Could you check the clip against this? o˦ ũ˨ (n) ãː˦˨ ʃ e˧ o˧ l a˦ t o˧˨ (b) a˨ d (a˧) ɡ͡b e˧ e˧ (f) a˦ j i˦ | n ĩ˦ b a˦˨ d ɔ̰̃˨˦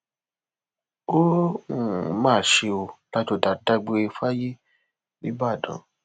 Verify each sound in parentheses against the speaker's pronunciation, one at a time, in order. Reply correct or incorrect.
incorrect: m, incorrect: d, correct, correct

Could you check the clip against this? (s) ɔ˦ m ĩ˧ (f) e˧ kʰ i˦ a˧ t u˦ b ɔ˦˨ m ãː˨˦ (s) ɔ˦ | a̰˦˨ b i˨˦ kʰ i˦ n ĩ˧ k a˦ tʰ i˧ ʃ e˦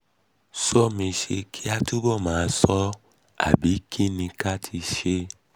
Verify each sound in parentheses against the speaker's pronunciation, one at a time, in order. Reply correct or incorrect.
correct, incorrect: ʃ, correct

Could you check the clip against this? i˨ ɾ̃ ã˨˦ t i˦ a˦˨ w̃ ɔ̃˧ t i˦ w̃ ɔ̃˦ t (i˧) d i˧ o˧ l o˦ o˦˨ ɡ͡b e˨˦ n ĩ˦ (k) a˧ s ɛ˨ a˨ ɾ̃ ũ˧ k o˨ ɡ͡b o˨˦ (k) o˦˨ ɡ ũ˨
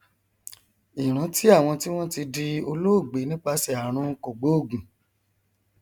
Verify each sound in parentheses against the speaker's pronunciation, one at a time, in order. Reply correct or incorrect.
correct, incorrect: k͡p, incorrect: none

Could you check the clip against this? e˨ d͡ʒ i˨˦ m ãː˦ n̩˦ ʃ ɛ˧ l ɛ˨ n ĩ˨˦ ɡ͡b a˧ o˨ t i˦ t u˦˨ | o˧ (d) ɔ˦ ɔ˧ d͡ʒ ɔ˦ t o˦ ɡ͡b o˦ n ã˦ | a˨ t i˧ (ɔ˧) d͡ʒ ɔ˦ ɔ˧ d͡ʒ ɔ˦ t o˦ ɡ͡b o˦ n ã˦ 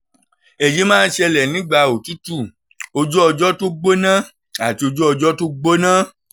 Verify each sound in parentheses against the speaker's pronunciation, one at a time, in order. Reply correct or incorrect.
incorrect: d͡ʒ, incorrect: o˧

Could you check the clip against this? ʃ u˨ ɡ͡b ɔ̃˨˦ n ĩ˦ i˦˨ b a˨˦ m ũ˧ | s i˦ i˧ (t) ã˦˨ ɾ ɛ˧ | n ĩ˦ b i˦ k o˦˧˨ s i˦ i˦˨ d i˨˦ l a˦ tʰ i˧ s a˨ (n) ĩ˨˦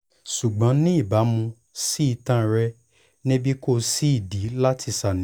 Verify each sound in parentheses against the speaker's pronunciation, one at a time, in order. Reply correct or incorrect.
correct, correct

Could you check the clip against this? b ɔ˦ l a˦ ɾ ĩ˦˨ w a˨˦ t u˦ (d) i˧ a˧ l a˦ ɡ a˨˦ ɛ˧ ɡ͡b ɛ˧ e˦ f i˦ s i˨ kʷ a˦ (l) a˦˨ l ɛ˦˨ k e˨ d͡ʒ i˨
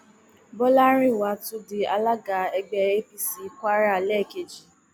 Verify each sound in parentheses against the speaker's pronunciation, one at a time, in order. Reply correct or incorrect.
correct, incorrect: ɾ

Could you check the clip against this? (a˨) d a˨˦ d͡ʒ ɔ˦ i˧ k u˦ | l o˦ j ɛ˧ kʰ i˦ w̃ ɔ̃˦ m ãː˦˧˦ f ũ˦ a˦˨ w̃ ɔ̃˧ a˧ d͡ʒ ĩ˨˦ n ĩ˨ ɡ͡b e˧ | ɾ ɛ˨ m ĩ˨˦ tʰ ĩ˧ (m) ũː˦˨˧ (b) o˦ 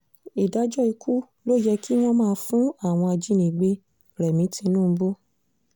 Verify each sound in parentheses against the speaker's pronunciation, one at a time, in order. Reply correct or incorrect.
incorrect: i˨, incorrect: n, correct

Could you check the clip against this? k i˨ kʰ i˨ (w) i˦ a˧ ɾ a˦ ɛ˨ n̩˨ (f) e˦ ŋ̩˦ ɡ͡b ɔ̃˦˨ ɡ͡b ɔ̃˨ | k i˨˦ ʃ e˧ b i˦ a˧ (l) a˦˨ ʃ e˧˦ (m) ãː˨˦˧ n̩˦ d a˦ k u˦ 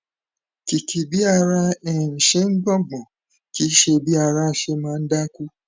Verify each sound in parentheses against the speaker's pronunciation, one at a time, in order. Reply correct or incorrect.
incorrect: b, incorrect: ʃ, incorrect: ɾ, correct

